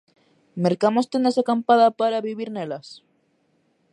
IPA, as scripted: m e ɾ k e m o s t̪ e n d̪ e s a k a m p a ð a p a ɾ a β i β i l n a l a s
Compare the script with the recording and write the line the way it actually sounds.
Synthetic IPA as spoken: m e ɾ k a m o s t̪ e n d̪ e s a k a m p a ð a p a ɾ a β i β i ɾ n e l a s